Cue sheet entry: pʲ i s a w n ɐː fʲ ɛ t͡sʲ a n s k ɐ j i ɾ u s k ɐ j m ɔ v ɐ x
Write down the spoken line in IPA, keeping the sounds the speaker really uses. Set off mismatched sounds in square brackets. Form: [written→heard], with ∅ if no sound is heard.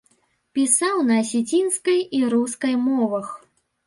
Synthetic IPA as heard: pʲ i s a w n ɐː [fʲ→sʲ] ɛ t͡sʲ [a→i] n s k ɐ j i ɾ u s k ɐ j m ɔ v ɐ x